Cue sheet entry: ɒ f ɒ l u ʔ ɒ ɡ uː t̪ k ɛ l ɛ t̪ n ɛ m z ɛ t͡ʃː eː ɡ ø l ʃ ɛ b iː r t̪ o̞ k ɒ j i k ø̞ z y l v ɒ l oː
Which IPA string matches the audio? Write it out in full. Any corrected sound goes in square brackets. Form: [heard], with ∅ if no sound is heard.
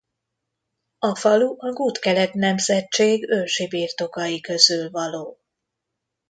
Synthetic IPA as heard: ɒ f ɒ l u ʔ ɒ ɡ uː t̪ k ɛ l ɛ t̪ n ɛ m z ɛ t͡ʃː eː ɡ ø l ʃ [i] b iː r t̪ o̞ k ɒ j i k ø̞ z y l v ɒ l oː